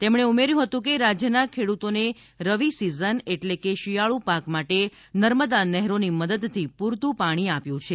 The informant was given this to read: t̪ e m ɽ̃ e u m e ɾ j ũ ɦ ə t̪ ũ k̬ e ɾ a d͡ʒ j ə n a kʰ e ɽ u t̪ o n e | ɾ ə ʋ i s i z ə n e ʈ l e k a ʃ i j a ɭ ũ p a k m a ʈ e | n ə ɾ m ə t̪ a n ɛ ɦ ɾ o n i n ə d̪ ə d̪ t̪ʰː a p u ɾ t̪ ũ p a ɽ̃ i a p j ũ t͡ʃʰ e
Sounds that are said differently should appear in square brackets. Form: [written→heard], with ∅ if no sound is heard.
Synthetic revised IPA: t̪ e m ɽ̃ e u m e ɾ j ũ ɦ ə t̪ ũ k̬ e ɾ a d͡ʒ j ə n a kʰ e ɽ u t̪ o n e | ɾ ə ʋ i s i z ə n e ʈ l e k [a→e] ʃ i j a ɭ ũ p a k m a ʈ e | n ə ɾ m ə [t̪→d̪] a n ɛ ɦ ɾ o n i [n→m] ə d̪ ə d̪ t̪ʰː [a→i] p u ɾ t̪ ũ p a ɽ̃ i a p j ũ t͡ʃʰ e